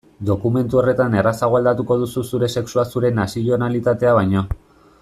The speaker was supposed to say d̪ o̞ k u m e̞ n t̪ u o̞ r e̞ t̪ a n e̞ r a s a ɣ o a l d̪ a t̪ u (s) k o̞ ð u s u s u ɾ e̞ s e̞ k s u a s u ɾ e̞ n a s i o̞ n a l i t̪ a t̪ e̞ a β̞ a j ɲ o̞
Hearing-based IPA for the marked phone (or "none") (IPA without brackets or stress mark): none